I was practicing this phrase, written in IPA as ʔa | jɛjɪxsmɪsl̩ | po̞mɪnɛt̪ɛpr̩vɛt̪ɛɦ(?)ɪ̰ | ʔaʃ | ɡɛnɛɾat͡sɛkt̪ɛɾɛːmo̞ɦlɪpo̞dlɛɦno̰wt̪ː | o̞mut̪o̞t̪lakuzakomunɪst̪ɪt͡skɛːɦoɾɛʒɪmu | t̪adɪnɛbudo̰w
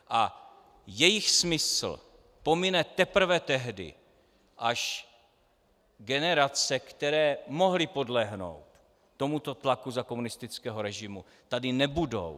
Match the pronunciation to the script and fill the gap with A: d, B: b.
A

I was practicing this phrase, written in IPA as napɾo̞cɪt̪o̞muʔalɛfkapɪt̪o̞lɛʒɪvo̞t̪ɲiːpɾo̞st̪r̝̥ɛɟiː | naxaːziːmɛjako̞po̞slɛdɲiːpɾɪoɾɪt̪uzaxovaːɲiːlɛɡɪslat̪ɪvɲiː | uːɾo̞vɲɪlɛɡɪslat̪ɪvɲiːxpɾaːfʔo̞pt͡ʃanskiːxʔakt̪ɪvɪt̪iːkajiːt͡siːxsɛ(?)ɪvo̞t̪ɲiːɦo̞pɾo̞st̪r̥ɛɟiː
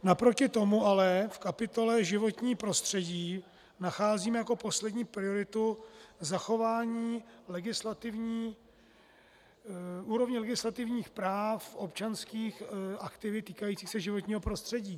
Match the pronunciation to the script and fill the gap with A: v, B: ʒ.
B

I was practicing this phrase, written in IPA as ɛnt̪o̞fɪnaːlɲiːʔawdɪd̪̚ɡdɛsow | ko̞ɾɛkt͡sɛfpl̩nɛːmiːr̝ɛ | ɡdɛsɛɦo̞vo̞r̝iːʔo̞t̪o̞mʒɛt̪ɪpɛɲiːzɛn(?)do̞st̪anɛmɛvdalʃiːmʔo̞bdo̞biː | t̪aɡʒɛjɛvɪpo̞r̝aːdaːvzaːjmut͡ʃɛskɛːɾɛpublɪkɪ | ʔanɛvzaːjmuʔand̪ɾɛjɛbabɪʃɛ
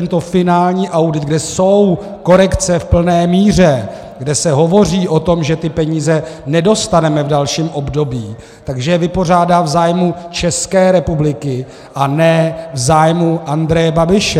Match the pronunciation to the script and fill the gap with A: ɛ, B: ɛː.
A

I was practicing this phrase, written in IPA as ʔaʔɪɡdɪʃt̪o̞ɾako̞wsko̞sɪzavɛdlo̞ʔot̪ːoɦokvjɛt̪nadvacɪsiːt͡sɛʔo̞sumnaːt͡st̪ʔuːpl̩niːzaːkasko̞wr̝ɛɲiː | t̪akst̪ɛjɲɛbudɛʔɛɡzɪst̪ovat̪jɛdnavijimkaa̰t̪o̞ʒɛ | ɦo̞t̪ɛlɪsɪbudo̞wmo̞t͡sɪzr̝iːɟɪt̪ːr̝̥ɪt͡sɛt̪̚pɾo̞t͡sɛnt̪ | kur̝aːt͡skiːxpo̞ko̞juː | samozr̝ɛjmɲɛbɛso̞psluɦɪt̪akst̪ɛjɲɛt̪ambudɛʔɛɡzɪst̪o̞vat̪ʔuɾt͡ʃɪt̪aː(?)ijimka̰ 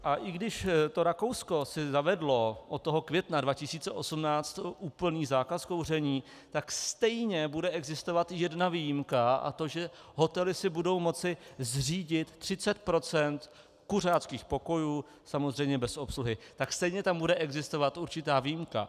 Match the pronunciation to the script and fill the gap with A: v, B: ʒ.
A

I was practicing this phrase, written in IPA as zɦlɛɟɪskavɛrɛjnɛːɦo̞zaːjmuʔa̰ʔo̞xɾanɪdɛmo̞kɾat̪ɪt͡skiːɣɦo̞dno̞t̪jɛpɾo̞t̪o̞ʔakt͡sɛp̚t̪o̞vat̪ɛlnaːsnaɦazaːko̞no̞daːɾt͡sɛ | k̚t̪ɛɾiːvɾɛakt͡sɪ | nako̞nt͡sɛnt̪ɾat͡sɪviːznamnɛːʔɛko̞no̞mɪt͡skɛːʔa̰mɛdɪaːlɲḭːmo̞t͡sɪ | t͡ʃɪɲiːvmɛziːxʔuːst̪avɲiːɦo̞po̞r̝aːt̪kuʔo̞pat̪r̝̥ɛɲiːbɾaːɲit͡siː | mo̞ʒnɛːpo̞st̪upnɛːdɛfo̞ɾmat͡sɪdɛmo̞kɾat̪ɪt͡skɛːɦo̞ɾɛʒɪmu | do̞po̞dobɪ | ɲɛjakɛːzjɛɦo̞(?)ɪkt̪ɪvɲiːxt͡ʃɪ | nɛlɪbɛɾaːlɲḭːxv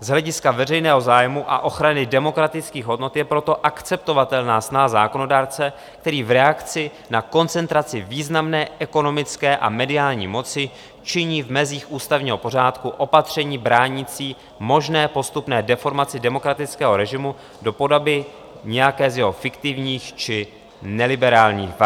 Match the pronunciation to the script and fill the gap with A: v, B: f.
B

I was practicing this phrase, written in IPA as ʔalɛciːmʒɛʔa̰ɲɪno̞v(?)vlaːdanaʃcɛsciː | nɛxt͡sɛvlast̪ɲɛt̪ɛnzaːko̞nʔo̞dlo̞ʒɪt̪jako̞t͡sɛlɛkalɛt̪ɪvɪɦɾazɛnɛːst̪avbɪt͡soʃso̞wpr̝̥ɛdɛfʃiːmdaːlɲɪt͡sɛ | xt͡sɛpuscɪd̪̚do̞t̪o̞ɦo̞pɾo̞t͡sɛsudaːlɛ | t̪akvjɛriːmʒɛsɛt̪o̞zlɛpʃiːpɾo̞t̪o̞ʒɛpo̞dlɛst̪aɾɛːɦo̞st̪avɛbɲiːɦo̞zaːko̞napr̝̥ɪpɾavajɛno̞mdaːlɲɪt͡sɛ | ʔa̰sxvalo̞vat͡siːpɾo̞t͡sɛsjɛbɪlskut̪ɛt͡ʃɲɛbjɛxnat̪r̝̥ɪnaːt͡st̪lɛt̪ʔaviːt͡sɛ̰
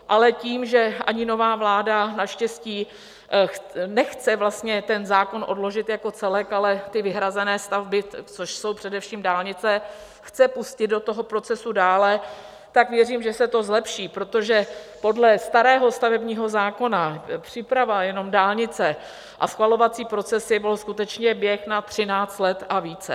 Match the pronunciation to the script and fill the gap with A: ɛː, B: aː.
B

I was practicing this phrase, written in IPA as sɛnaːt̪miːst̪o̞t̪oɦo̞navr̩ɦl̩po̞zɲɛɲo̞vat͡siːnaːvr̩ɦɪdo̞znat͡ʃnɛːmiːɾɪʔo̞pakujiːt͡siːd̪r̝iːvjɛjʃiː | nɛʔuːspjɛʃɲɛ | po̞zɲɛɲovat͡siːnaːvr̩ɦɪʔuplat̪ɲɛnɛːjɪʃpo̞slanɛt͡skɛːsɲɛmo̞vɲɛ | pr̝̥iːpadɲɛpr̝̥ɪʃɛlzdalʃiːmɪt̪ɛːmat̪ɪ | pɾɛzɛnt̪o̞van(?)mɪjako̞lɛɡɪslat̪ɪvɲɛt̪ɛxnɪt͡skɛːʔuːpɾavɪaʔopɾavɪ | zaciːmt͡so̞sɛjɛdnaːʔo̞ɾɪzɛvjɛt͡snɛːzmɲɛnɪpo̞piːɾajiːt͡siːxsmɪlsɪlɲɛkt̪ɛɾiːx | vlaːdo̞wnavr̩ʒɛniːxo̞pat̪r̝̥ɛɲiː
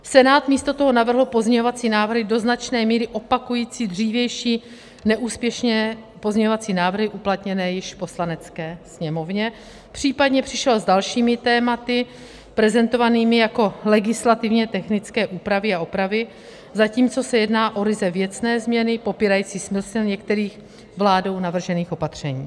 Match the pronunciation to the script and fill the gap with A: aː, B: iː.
B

